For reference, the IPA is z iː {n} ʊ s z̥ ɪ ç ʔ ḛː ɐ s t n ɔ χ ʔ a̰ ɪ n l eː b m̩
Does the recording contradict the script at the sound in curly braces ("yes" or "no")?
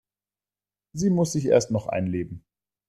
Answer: yes